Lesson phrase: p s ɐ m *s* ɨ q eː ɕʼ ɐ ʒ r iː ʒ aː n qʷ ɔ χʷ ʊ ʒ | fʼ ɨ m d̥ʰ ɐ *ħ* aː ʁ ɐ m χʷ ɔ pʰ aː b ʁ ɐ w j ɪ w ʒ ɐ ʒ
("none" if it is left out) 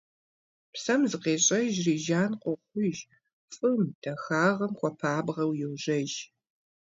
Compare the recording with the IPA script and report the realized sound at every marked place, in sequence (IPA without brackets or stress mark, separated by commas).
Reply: z, x